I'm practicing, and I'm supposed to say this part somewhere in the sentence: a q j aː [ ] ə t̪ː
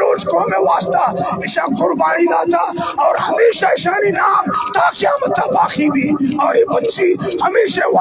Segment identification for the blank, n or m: m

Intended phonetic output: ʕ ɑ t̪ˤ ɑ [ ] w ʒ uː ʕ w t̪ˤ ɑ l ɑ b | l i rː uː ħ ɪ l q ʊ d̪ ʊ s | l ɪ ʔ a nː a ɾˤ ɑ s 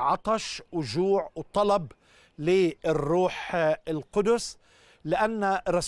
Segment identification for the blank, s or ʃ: ʃ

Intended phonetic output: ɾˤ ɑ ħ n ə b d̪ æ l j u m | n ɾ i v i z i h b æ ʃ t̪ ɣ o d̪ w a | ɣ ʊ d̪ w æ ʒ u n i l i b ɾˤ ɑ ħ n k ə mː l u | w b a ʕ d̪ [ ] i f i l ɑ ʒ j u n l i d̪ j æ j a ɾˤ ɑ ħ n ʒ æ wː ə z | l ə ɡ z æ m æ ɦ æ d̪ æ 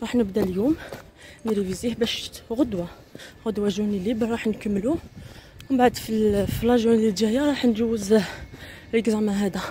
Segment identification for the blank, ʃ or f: f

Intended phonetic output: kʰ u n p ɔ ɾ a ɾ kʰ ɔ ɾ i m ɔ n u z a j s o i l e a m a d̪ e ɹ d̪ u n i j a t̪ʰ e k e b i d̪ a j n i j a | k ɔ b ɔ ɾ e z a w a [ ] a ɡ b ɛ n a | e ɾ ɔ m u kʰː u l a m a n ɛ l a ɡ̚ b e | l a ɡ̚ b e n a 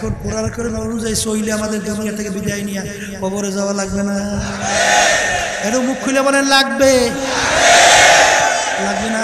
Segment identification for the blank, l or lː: l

